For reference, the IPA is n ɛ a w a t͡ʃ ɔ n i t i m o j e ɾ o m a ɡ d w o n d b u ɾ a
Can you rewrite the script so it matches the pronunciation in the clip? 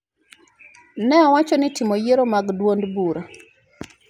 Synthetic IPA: n ɛ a w a t͡ʃ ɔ n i t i m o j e ɾ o m a ɡ d w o n d b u ɾ a